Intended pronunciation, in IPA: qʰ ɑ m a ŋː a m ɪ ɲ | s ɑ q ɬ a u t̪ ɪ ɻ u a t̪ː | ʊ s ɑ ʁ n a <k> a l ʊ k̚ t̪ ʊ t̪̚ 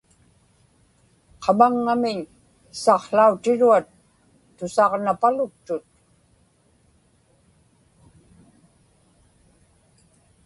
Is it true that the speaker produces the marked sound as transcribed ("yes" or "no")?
no